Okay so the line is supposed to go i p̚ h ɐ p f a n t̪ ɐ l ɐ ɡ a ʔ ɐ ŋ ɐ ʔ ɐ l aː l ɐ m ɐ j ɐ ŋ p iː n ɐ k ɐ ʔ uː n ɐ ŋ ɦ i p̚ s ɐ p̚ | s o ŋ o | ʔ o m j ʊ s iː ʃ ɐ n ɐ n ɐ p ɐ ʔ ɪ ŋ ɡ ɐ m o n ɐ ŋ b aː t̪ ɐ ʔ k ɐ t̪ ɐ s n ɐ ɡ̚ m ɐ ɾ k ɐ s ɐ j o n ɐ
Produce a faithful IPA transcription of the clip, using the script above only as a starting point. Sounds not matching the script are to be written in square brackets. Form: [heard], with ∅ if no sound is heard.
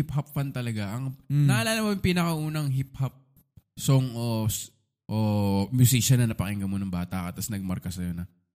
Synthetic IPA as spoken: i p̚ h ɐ p f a n t̪ ɐ l ɐ ɡ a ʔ ɐ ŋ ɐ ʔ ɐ l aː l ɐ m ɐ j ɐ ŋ p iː n ɐ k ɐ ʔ uː n ɐ ŋ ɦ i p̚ [h] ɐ p̚ | s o ŋ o | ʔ o m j ʊ s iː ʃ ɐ n ɐ n ɐ p ɐ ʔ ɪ ŋ ɡ ɐ m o n ɐ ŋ b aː t̪ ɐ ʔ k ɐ t̪ ɐ s n ɐ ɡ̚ m ɐ ɾ k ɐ s ɐ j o n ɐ